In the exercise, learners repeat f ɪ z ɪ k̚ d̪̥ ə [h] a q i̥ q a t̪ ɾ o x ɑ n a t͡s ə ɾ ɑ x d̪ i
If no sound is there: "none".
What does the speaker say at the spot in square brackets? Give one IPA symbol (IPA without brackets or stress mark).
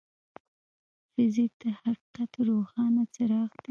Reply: h